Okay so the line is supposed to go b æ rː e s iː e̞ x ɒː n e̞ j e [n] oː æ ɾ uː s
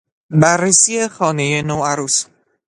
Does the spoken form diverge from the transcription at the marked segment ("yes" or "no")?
no